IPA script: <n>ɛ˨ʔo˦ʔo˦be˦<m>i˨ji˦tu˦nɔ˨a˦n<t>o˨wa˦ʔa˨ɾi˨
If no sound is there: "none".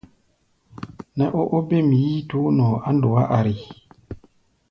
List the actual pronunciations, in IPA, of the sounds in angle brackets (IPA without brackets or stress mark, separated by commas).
n, m, d